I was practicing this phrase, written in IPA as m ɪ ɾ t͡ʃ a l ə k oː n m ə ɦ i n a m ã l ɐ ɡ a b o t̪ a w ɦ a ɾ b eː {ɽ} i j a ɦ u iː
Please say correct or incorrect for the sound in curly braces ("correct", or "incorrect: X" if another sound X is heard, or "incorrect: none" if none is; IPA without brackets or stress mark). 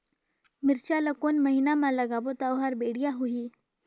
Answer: correct